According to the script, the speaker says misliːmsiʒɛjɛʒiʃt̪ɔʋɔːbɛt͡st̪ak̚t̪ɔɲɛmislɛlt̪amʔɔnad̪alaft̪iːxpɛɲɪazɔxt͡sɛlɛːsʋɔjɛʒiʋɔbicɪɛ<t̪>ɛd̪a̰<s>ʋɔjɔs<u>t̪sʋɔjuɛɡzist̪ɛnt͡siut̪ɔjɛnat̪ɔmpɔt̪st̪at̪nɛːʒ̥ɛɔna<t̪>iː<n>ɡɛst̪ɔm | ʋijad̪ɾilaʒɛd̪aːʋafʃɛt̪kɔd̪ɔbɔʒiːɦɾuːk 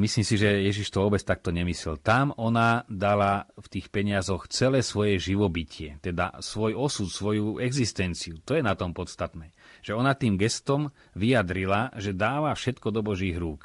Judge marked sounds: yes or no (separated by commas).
yes, yes, yes, yes, no